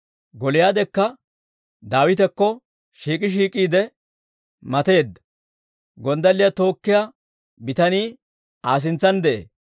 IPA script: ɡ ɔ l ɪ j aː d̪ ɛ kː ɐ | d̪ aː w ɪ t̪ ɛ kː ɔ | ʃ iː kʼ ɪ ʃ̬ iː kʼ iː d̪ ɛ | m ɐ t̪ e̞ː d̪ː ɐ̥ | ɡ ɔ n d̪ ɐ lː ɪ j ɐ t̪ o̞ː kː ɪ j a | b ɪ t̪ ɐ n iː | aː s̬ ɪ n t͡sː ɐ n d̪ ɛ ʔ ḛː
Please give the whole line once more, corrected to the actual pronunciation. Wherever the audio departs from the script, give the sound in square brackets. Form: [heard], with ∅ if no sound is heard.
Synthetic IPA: ɡ ɔ l ɪ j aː d̪ ɛ kː ɐ | d̪ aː w ɪ t̪ ɛ kː ɔ | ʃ iː kʼ ɪ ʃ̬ iː kʼ iː d̪ ɛ | m ɐ t̪ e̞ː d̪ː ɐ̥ | ɡ ɔ n d̪ ɐ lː ɪ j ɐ t̪ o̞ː kː ɪ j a | b ɪ t̪ ɐ n iː | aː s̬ ɪ n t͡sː ɐ n d̪ ɛ ʔ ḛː